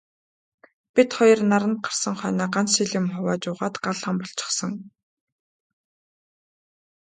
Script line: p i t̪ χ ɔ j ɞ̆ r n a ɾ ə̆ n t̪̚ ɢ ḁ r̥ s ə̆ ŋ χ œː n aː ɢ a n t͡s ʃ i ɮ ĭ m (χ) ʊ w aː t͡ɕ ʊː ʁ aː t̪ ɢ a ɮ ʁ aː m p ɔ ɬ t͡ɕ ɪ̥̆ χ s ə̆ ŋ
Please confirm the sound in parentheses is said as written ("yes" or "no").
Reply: yes